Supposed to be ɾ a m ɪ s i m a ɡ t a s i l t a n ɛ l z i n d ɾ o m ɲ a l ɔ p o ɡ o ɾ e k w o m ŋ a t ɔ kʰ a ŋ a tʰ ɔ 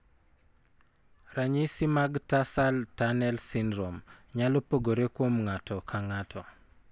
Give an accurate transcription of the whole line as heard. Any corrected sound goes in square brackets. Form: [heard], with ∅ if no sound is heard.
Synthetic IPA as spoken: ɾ a [ɲ] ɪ s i m a ɡ t a s [a] l t a n ɛ l [s] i n d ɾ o m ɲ a l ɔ p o ɡ o ɾ e k w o m ŋ a t ɔ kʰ a ŋ a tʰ ɔ